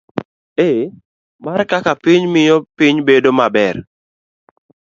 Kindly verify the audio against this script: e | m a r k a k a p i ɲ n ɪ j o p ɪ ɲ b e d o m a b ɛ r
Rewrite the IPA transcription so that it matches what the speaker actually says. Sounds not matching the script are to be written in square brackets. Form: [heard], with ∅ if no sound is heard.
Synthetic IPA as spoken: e | m a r k a k a p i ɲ [m] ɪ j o p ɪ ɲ b e d o m a b ɛ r